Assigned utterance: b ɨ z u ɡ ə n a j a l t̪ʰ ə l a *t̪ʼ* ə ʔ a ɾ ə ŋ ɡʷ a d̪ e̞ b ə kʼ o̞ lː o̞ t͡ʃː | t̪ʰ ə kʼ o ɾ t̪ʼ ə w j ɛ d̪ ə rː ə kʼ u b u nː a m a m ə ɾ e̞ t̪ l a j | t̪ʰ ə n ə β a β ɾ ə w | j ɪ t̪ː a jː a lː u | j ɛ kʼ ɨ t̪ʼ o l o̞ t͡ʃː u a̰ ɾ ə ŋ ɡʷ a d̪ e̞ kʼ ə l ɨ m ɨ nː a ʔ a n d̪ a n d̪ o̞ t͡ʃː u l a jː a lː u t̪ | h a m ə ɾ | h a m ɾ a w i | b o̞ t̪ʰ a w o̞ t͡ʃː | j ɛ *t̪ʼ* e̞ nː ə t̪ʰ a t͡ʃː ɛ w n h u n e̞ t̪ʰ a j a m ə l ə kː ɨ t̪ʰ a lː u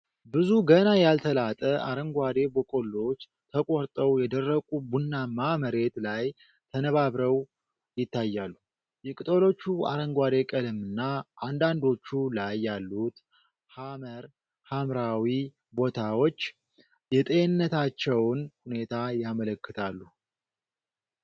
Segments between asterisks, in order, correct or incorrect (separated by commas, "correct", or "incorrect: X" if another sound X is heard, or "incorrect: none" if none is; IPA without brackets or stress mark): correct, correct